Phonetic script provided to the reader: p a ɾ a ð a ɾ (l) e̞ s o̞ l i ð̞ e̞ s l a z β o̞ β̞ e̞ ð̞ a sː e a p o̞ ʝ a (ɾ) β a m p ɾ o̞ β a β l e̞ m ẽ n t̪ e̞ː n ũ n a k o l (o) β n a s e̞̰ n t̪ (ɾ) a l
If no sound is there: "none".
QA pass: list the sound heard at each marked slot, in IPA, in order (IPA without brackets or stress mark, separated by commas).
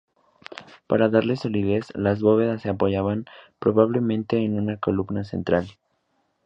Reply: l, none, u, ɾ